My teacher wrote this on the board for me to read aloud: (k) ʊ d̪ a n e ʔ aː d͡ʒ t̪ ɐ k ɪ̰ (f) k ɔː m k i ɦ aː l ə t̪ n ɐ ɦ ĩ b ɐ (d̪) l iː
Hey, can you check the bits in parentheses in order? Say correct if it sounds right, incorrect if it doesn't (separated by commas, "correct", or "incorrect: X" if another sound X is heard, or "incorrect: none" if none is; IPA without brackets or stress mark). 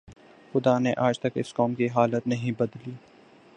incorrect: x, incorrect: s, correct